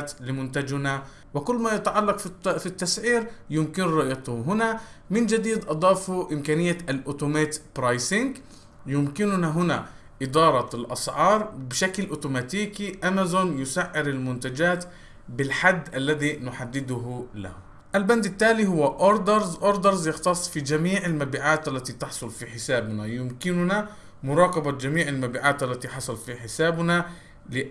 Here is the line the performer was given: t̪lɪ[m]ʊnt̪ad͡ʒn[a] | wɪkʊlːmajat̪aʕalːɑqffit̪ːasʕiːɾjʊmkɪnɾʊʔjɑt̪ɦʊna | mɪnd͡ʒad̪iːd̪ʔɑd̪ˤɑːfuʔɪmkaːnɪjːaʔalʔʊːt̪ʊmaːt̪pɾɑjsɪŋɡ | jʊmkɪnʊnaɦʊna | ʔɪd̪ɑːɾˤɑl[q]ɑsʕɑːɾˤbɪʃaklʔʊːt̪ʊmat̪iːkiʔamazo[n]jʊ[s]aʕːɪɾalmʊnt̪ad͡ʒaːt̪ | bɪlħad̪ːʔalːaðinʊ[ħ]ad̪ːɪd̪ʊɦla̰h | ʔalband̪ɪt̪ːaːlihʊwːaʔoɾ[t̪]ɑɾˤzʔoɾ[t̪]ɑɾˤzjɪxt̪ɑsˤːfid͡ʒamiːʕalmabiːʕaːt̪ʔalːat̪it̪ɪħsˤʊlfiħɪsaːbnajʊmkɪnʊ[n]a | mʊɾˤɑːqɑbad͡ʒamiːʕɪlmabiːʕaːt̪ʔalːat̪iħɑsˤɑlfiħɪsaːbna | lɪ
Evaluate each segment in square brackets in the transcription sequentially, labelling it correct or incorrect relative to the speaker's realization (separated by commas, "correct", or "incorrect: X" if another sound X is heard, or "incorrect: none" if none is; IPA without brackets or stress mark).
correct, correct, incorrect: ʔ, correct, correct, correct, incorrect: d̪, incorrect: d̪, correct